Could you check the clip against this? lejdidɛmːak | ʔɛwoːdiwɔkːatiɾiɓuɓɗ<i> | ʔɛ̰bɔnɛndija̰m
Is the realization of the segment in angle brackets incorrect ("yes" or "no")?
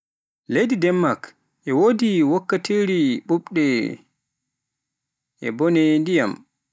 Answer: yes